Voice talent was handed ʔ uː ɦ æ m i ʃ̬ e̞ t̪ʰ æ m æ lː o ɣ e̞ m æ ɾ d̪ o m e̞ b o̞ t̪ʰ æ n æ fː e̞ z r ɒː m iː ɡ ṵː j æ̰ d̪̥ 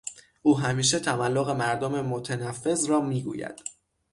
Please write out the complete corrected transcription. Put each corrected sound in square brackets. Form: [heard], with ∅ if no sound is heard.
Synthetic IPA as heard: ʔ uː ɦ æ m [iː] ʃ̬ e̞ t̪ʰ æ m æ lː o ɣ e̞ m æ ɾ d̪ o m e̞ [m] o̞ t̪ʰ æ n æ fː e̞ z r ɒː m iː ɡ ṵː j æ̰ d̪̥